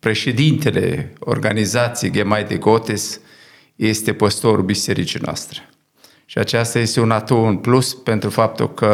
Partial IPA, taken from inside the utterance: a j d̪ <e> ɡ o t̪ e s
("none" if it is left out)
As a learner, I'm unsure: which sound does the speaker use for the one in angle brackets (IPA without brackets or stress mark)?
e